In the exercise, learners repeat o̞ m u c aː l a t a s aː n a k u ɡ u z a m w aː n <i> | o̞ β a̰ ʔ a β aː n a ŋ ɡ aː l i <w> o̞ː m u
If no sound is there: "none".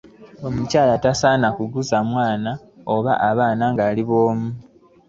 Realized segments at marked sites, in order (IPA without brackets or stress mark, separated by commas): a, β